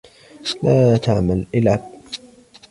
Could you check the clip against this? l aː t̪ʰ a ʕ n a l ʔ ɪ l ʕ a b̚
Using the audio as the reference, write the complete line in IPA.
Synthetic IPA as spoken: l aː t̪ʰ a ʕ m a l ʔ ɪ l ʕ a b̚

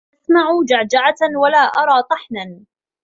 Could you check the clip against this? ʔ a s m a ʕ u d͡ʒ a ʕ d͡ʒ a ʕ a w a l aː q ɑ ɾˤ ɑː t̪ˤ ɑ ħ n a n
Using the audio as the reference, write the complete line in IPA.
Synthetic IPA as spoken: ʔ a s m a ʕ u d͡ʒ a ʕ d͡ʒ a ʕ a w a l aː ʔ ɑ ɾˤ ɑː t̪ˤ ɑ ħ n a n

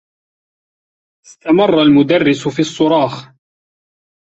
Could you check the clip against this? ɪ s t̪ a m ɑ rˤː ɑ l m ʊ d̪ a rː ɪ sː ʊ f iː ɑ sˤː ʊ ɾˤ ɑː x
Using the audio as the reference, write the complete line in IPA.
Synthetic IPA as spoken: ɪ s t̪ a m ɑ rˤː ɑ l m ʊ d̪ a rː ɪ s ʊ f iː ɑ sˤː ʊ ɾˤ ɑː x

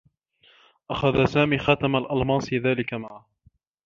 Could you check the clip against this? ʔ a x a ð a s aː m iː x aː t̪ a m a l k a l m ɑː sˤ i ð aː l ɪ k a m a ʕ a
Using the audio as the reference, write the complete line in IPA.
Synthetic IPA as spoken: ʔ a x a ð a s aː m iː x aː t̪ a m a l ʔ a l m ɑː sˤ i ð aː l ɪ k a m a ʕ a

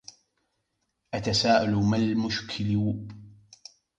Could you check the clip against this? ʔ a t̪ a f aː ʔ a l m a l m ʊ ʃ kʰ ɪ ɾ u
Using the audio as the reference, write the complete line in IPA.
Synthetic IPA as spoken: ʔ a t̪ a s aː ʔ a l m a l m ʊ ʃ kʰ ɪ l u

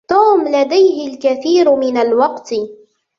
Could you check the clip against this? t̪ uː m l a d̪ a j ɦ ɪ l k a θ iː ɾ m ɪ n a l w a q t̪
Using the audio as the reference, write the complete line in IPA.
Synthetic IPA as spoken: t̪ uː m l a d̪ a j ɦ ɪ l k a θ iː ɾ m ɪ n a l w ɑ q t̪

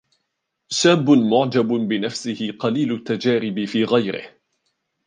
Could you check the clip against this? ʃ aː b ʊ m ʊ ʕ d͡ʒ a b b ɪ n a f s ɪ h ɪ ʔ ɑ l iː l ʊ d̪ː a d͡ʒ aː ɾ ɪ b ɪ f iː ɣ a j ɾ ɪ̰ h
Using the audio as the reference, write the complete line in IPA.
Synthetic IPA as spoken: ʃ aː b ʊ m ʊ ʕ d͡ʒ a b b ɪ n a f s ɪ h ɪ q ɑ l iː l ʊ t̪ː a d͡ʒ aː ɾ ɪ b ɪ f iː ɣ a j ɾ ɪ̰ h

